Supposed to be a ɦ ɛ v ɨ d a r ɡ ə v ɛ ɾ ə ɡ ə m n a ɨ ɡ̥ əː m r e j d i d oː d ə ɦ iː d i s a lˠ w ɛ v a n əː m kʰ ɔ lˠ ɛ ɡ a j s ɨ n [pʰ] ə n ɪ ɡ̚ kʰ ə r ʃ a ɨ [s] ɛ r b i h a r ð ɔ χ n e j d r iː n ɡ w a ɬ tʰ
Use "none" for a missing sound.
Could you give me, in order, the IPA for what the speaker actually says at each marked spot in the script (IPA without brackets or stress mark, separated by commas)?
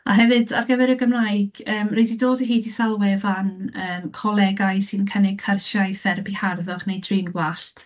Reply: kʰ, f